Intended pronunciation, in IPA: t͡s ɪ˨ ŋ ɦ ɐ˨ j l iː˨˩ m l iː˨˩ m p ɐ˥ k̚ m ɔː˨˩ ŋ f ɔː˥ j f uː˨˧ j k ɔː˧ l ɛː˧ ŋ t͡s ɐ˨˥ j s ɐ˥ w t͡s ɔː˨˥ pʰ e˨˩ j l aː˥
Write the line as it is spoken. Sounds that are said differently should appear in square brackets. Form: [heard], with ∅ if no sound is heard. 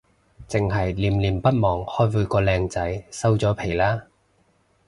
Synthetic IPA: t͡s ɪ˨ ŋ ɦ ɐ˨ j l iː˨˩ m l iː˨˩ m p ɐ˥ [t̚] m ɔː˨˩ ŋ [h] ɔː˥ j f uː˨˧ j k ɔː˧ l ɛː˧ ŋ t͡s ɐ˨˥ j s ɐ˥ w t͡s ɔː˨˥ pʰ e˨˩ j l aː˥